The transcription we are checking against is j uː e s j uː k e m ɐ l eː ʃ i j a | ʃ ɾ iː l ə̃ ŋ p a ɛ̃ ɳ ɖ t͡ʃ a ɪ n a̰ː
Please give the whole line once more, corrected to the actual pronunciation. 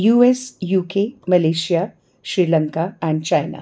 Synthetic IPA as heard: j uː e s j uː k e m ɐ l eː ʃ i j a | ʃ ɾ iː l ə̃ ŋ k a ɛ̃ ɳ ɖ t͡ʃ a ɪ n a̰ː